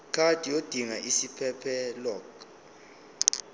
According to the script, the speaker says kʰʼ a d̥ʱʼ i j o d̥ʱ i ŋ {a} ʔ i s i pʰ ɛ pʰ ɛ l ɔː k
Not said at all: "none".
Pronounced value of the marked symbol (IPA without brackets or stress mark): a